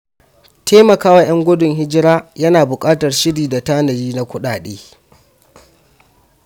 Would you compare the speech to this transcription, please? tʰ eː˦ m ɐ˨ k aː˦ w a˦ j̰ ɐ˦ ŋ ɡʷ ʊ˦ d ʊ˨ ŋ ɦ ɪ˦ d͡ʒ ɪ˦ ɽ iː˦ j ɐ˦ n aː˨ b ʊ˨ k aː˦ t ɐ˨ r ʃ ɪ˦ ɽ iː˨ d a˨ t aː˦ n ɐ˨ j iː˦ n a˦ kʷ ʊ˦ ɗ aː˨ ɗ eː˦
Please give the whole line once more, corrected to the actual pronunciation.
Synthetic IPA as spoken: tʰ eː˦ m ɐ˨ k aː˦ w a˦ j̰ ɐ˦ ŋ ɡʷ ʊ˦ d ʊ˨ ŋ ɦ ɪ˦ d͡ʒ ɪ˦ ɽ aː˦ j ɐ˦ n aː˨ b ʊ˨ kʼ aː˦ t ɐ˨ r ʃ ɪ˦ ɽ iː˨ d a˨ t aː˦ n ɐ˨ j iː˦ n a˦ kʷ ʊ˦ ɗ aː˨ ɗ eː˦